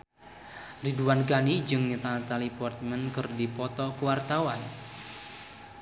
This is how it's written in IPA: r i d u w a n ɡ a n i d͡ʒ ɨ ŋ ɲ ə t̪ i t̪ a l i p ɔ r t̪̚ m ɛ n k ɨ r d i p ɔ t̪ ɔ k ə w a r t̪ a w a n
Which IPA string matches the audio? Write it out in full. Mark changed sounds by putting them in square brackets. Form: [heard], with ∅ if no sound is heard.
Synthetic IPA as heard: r i d u w a n ɡ a n i d͡ʒ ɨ ŋ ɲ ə t̪ [a] t̪ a l i p ɔ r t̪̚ m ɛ n k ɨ r d i p ɔ t̪ ɔ k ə w a r t̪ a w a n